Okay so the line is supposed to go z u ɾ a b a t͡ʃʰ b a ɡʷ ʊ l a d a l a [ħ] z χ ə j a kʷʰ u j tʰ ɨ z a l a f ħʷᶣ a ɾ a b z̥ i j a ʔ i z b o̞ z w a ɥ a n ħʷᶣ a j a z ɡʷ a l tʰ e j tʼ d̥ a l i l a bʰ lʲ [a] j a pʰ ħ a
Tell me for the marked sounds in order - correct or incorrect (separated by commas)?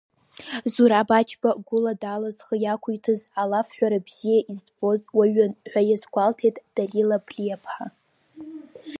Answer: incorrect, incorrect